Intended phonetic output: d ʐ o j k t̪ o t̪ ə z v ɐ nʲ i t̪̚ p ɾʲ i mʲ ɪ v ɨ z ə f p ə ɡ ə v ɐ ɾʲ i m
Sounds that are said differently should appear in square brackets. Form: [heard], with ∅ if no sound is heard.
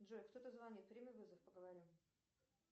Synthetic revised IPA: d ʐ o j k t̪ o t̪ ə z v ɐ nʲ i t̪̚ p ɾʲ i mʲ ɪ v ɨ z ə f p ə ɡ ə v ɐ ɾʲ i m